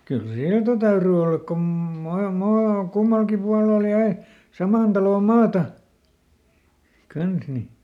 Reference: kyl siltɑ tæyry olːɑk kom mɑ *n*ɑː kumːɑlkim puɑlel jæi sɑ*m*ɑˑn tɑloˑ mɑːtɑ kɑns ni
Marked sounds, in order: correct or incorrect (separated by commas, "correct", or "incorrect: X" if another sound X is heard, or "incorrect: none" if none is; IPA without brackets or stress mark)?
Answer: incorrect: m, correct